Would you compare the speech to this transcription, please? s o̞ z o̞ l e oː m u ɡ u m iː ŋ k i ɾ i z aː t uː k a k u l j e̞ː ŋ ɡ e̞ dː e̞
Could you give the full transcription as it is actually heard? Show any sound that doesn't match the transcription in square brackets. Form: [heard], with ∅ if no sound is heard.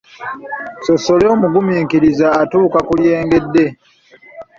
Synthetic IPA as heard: s o̞ [s] o̞ l e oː m u ɡ u m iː ŋ k i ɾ i z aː t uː k a k u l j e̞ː ŋ ɡ e̞ dː e̞